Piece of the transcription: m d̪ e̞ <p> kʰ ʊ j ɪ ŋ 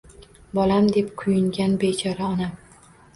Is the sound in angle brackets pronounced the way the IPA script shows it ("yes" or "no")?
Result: yes